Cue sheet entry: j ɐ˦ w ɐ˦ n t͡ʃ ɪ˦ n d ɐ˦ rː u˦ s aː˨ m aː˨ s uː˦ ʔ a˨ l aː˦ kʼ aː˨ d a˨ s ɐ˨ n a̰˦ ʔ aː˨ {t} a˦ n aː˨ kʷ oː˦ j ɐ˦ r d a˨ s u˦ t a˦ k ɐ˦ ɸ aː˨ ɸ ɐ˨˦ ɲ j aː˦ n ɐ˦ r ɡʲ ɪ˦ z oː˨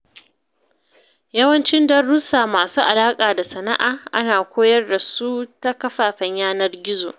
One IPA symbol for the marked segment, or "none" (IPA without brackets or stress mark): ʔ